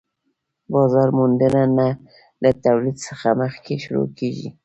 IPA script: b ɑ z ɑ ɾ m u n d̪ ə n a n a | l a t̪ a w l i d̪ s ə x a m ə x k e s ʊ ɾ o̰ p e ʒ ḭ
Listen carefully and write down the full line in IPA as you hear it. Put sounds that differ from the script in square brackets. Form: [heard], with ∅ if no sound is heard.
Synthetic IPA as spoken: b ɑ z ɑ ɾ m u n d̪ ə n a n a | l a t̪ a w l i d̪ s ə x a m ə x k e [ʃ] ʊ ɾ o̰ [k] e ʒ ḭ